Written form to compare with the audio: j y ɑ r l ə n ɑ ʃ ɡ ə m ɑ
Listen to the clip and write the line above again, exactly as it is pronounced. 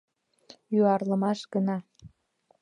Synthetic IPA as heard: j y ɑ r l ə m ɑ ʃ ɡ ə n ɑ